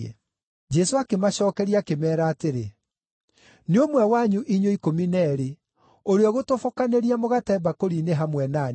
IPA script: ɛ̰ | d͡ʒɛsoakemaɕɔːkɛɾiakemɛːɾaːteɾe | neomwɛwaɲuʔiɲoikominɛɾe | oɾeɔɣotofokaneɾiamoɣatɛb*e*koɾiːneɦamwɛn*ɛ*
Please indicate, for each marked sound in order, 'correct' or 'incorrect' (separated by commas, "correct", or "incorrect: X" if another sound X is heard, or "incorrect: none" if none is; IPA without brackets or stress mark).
incorrect: a, incorrect: a